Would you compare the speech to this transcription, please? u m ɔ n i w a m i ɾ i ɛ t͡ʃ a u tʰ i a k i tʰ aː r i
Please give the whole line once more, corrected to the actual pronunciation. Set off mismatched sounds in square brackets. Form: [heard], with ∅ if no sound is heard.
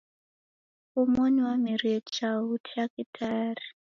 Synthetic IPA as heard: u m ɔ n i w a m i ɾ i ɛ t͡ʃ a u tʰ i a k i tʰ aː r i